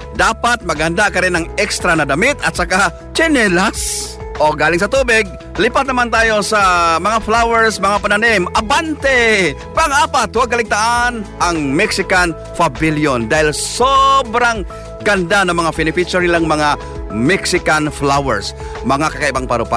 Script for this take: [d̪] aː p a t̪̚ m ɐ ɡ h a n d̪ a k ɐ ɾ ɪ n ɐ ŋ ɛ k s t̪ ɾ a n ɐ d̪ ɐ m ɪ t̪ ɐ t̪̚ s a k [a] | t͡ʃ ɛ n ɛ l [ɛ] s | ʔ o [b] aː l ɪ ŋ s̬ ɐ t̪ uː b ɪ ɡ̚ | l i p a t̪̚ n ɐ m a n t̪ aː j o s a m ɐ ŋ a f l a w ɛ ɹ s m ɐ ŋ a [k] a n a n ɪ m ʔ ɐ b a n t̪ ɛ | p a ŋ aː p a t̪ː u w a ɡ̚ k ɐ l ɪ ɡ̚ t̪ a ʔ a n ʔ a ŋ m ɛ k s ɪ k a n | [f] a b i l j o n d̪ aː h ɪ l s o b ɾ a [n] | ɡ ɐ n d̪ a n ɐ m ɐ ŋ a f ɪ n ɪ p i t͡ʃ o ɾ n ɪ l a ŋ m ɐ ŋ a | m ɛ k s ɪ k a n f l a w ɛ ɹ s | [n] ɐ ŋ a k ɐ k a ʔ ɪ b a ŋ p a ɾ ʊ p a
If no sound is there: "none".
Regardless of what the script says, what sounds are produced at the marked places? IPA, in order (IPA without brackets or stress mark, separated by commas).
d̪, a, a, ɡ, p, f, ŋ, m